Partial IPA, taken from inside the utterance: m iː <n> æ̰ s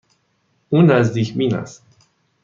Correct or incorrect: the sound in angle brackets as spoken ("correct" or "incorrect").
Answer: correct